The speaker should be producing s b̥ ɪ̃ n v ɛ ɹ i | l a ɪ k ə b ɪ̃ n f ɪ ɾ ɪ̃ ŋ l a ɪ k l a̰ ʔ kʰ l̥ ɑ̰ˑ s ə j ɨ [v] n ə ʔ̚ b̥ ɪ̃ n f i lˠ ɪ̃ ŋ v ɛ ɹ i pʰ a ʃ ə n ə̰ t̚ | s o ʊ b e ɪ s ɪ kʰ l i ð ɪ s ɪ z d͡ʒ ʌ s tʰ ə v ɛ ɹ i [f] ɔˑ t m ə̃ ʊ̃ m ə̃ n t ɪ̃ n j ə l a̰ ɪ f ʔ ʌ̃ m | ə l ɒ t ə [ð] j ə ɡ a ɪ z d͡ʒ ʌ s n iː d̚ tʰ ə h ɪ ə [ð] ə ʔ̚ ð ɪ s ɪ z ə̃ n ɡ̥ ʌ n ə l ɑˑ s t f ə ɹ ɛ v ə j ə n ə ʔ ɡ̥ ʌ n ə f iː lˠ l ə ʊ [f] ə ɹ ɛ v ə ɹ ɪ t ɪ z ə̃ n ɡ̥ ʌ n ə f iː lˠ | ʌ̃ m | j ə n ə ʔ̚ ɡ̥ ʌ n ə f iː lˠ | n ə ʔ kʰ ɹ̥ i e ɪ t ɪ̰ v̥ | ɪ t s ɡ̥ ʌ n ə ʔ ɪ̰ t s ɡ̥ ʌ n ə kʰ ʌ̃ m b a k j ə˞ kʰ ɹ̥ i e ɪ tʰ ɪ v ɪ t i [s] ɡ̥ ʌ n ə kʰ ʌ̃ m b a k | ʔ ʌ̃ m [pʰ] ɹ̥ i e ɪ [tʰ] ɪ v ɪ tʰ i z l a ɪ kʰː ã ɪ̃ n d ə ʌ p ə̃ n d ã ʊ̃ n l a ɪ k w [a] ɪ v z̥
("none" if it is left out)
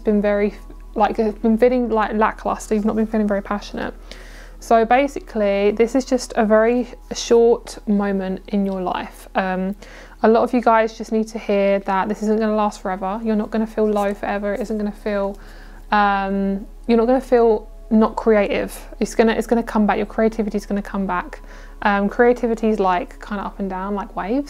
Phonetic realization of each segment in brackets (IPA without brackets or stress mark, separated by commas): v, ʃ, v, ð, f, z, kʰ, tʰ, e